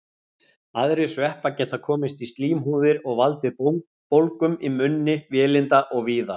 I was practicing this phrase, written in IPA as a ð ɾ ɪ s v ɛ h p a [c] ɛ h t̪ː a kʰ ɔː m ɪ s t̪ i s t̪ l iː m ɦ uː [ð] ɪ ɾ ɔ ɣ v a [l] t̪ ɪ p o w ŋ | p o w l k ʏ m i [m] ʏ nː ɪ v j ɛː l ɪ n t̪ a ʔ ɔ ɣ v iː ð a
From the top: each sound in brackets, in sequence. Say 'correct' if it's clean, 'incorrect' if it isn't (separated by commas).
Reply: correct, correct, correct, correct